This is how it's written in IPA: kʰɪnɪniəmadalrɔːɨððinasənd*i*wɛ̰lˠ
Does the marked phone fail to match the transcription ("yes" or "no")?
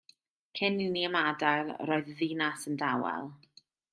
yes